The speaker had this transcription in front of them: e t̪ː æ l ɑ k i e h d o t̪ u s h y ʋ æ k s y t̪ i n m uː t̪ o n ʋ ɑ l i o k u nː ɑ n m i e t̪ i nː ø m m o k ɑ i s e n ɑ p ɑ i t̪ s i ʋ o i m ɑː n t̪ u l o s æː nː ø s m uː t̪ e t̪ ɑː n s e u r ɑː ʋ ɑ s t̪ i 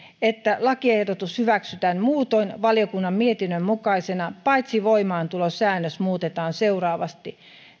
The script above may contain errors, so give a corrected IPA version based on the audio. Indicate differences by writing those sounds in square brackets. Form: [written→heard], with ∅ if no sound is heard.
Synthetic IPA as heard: e t̪ː æ l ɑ k i e h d o t̪ u s h y ʋ æ k s y t̪ [i→æ] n m uː t̪ o n ʋ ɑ l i o k u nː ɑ [n→m] m i e t̪ i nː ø m m [o→u] k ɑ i s e n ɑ p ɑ i t̪ s i ʋ o i m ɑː n t̪ u l o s æː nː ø s m uː t̪ e t̪ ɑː n s e u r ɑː ʋ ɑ s t̪ i